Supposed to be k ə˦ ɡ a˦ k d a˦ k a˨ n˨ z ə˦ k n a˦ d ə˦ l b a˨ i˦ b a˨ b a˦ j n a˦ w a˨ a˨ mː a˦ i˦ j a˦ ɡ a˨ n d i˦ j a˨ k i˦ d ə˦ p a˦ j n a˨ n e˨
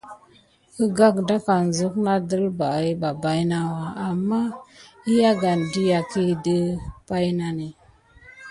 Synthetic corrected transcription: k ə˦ ɡ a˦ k d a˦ k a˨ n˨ z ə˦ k n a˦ d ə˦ l b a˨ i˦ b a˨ b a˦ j n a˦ w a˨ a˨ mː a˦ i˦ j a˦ ɡ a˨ n d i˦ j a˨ k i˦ d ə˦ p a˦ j n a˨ n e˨